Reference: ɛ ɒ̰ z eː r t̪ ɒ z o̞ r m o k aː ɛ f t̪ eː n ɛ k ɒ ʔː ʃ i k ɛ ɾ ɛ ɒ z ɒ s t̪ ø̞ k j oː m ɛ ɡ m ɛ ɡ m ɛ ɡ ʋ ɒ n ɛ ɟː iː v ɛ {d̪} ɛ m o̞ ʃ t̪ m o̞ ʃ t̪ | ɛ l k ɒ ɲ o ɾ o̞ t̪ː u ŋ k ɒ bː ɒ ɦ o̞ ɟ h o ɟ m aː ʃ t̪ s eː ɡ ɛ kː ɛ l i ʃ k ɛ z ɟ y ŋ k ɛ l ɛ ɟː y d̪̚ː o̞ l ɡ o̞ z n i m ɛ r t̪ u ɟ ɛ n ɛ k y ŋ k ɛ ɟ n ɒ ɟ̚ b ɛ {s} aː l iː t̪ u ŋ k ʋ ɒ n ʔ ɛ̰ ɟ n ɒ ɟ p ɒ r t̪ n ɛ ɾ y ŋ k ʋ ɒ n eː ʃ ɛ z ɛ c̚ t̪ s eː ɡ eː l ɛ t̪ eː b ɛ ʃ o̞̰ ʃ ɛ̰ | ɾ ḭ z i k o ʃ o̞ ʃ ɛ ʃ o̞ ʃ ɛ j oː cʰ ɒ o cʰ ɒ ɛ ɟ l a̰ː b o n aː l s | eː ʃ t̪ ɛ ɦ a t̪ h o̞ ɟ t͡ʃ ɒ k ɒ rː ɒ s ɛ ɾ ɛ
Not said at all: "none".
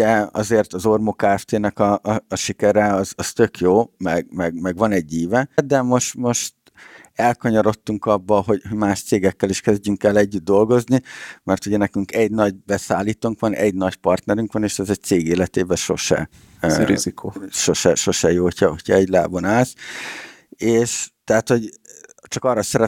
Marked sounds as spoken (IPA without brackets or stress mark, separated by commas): d̪, s